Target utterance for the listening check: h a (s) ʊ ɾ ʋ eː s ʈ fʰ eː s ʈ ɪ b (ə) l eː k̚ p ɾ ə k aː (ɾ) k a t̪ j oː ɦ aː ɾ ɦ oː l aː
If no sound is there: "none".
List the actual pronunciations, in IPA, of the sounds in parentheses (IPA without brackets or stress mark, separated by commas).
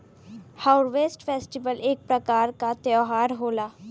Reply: none, ə, ɾ